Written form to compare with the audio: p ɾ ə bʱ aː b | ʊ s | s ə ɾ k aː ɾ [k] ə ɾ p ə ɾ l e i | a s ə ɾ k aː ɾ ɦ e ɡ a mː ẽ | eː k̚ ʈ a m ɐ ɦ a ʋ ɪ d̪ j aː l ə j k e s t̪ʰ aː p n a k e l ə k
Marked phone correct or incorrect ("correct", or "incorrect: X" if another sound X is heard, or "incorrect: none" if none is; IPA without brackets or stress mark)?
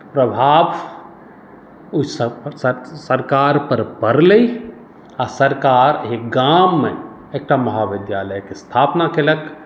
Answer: incorrect: p